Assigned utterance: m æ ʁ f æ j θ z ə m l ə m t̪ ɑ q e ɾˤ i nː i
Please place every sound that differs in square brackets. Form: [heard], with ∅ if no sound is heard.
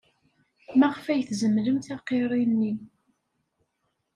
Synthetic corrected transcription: m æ ʁ f æ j θ z ə m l ə m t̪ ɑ q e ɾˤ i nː i